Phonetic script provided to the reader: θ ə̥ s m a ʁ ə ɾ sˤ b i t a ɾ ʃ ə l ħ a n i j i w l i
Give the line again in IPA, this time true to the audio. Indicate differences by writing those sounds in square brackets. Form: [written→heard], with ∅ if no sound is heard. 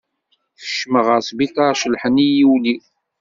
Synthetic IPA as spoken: θ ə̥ [s→ʃ] m [a→ə] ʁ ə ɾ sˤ b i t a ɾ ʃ ə l ħ [a→ə] n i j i w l i